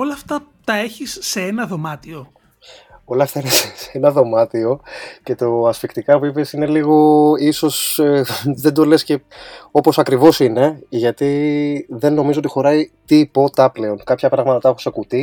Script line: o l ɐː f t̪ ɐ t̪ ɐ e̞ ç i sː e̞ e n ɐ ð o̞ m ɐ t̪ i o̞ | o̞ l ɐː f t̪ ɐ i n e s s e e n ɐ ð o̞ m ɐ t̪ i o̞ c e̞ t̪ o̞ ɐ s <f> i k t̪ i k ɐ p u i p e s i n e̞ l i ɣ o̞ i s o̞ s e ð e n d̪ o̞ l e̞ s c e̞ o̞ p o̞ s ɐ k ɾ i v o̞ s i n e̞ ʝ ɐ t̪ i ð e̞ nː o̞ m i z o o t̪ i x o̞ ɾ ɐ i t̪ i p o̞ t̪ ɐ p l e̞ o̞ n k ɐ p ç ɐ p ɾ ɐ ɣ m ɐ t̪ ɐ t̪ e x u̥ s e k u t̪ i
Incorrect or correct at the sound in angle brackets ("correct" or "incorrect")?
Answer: correct